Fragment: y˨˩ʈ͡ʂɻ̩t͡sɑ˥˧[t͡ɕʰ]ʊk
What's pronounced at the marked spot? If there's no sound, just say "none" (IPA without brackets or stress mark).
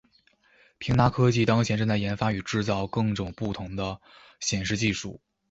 none